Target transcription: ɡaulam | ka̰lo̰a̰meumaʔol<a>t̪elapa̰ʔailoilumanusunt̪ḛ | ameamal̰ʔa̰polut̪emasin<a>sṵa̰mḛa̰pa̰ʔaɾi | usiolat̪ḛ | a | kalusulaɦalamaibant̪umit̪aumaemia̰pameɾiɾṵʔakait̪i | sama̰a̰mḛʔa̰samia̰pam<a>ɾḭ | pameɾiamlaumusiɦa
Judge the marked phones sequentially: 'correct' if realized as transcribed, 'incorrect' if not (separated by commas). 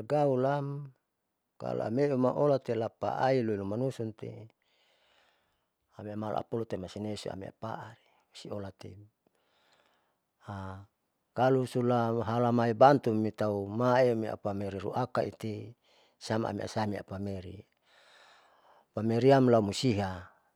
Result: correct, incorrect, incorrect